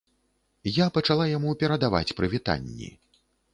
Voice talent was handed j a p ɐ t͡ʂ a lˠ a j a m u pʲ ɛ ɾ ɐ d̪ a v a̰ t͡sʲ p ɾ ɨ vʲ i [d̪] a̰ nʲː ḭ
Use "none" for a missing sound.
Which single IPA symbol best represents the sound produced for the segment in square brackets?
t̪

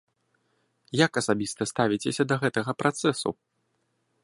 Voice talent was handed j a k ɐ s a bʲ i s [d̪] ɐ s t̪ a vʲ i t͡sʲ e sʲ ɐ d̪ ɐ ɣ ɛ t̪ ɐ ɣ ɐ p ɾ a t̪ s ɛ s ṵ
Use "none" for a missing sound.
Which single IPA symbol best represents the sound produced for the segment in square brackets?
t̪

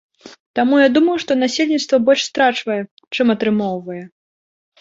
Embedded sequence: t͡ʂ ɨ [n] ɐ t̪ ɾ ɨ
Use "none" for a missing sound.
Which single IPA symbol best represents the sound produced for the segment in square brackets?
m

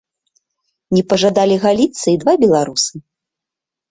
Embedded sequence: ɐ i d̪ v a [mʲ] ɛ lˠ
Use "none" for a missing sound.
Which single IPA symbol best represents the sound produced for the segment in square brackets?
bʲ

